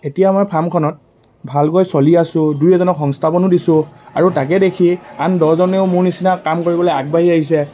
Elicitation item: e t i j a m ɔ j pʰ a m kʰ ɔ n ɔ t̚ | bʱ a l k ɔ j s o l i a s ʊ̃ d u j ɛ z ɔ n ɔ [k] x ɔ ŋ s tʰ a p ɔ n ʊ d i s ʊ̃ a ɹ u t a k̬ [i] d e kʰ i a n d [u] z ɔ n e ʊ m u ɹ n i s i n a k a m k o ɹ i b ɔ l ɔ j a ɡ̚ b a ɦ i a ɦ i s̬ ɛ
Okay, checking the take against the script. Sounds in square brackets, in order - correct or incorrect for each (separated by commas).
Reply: correct, incorrect, incorrect